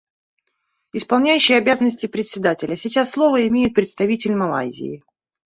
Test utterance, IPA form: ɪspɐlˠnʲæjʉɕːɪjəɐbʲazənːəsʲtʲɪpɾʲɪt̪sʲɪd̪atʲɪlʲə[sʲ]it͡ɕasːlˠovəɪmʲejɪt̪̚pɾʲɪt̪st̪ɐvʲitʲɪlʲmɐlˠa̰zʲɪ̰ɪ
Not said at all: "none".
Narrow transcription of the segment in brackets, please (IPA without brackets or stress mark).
sʲ